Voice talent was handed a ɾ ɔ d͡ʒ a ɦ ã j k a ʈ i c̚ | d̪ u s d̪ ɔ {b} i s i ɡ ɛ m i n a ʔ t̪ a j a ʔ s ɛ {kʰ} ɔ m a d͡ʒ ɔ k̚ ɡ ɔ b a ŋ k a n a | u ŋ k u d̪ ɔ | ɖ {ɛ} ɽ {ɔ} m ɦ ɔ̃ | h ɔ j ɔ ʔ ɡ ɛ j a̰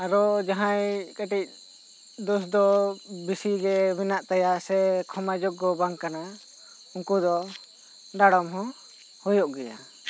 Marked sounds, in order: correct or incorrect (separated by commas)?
correct, correct, incorrect, correct